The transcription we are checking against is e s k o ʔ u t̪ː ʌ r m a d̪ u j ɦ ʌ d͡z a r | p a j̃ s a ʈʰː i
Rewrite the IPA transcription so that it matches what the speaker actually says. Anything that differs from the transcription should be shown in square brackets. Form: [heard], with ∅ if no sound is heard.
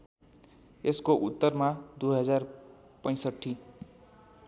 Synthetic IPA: e s k o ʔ u t̪ː ʌ r m a d̪ u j ɦ ʌ d͡z a r | p [ʌ] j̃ s [ʌ] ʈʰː i